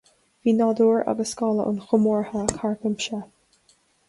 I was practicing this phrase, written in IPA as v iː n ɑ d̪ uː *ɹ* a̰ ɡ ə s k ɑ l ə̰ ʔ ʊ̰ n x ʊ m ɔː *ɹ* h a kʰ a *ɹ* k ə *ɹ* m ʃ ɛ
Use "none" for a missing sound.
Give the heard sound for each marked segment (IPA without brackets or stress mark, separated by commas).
ɹ, ɹ, ɹ, none